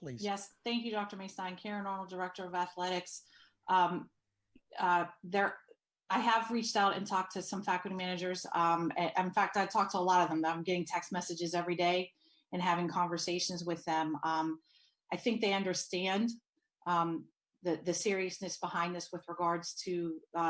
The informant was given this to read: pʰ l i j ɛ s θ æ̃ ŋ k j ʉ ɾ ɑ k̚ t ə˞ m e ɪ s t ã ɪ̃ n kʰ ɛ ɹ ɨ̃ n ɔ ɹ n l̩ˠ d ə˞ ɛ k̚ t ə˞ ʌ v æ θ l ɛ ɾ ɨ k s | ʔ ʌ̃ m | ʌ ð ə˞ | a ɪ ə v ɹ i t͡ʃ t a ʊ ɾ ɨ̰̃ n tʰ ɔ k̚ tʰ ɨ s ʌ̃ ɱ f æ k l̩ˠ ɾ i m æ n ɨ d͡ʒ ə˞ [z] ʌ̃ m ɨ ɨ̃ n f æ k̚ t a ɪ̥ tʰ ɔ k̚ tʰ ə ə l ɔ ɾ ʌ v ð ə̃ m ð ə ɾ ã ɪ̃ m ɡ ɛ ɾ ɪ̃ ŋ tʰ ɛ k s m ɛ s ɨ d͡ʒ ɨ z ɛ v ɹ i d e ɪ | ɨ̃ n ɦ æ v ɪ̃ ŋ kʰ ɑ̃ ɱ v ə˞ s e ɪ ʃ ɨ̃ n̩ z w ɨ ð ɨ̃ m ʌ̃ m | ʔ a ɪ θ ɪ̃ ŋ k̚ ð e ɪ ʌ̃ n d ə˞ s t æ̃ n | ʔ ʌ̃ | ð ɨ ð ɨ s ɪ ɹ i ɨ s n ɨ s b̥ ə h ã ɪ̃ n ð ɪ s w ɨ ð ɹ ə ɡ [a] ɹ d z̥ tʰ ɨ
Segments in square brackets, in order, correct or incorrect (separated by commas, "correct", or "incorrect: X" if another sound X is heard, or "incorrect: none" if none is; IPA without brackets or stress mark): correct, incorrect: ɑ